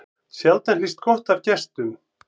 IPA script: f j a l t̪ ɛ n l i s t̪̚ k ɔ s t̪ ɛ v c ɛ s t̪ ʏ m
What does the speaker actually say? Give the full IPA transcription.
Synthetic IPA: s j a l t̪ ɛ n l i s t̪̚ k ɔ h t̪ a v c ɛ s t̪ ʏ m